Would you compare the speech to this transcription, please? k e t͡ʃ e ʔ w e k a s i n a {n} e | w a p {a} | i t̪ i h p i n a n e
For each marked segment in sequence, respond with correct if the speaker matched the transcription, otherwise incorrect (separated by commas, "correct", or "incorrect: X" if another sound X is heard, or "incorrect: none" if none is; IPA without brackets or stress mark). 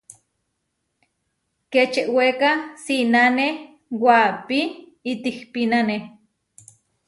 correct, incorrect: i